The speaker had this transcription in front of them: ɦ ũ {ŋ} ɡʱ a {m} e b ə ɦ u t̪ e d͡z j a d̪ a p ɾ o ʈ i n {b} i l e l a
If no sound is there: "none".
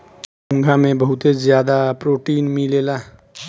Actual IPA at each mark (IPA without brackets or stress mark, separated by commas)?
ŋ, m, m